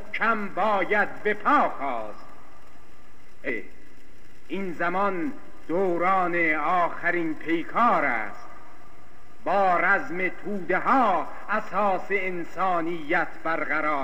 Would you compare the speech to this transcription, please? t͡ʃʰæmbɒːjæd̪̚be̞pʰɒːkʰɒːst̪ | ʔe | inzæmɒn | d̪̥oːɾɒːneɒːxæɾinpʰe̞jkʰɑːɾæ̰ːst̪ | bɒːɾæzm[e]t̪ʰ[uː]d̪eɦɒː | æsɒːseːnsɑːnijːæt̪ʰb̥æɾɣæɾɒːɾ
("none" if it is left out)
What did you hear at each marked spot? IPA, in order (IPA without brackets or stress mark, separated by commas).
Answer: e, uː